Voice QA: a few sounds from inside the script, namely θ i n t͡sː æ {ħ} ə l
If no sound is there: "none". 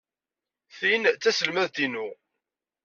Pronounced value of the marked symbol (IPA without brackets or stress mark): s